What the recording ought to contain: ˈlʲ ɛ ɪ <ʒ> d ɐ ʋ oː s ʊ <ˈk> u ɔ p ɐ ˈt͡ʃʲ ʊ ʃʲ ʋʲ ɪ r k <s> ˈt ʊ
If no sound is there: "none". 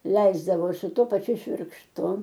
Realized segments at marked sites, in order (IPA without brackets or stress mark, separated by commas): z, t, ʃ